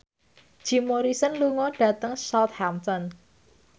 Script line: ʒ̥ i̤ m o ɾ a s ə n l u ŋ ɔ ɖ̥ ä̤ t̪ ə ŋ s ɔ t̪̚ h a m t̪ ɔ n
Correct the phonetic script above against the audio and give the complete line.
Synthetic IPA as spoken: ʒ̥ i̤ m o ɾ i s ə n l u ŋ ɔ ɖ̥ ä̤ t̪ ə ŋ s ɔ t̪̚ h a m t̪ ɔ n